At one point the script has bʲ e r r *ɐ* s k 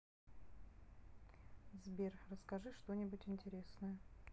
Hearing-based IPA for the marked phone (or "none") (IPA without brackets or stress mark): ə